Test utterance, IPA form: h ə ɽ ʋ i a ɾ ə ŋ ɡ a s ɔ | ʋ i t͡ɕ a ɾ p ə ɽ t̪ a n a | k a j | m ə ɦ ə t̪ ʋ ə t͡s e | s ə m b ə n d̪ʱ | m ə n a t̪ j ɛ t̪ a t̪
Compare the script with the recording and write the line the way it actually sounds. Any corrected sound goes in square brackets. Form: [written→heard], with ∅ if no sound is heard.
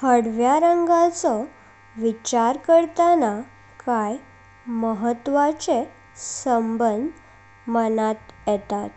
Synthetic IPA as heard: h ə ɽ ʋ [i→j] a ɾ ə ŋ ɡ a [s→t͡s] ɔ | ʋ i t͡ɕ a ɾ [p→k] ə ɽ t̪ a n a | k a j | m ə ɦ ə t̪ ʋ [ə→a] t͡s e | s ə m b ə n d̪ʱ | m ə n a t̪ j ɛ t̪ a t̪